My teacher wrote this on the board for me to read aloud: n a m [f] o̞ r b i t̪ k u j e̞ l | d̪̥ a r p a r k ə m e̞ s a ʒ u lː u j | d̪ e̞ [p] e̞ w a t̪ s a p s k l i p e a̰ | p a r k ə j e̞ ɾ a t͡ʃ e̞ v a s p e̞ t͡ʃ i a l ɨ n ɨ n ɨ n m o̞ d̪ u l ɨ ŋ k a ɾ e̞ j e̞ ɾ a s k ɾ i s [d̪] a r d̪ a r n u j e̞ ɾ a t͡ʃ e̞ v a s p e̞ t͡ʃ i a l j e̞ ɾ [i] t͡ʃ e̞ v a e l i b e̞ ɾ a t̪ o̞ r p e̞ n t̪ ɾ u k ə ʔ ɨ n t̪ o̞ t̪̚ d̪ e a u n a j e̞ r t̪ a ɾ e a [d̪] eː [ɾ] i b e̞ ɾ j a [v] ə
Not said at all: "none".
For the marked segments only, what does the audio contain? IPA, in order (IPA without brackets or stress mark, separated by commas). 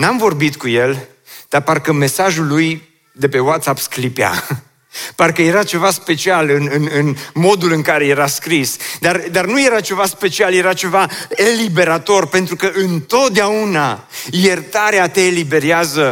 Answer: v, p, d̪, a, t̪, l, z